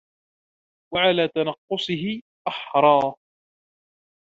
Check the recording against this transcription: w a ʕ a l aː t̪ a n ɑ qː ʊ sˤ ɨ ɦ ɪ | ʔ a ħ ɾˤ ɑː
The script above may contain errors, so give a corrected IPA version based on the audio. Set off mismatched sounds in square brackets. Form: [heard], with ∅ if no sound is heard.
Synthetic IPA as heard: w a ʕ a l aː t̪ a n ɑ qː ʊ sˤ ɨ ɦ ɪ | ʔ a ħ ɾˤ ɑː